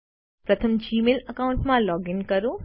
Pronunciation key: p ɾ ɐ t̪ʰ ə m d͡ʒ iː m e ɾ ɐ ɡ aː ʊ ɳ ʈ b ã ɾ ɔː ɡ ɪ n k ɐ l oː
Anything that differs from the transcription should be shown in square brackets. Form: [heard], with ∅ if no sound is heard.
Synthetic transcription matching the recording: p ɾ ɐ t̪ʰ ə m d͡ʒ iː m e [l] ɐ [k] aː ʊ ɳ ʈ [m] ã [l] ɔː ɡ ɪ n k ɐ [ɾ] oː